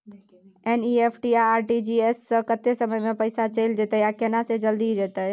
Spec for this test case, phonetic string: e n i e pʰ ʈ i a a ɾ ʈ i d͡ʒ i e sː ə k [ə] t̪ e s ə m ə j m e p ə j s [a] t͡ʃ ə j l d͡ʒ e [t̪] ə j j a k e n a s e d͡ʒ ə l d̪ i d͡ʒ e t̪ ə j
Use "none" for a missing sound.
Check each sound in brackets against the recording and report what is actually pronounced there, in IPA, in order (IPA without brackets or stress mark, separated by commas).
ə, a, t̪